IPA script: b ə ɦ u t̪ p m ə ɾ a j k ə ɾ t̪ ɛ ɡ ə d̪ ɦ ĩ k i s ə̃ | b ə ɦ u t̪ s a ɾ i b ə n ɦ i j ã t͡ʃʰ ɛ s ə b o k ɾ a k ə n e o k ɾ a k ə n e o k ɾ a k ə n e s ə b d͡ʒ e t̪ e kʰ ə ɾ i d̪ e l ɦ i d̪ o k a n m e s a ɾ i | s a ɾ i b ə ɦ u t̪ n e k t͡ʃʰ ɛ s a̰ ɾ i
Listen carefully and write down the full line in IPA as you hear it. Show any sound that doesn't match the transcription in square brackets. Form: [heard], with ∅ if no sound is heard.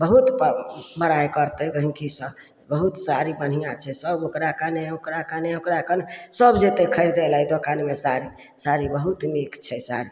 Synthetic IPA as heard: b ə ɦ u t̪ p m ə ɾ a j k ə ɾ t̪ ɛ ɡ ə [∅] ɦ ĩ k i s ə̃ | b ə ɦ u t̪ s a ɾ i b ə n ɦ i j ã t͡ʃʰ ɛ s ə b o k ɾ a k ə n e o k ɾ a k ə n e o k ɾ a k ə n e s ə b d͡ʒ e t̪ e kʰ ə ɾ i d̪ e l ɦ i d̪ o k a n m e s a ɾ i | s a ɾ i b ə ɦ u t̪ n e k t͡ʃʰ ɛ s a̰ ɾ i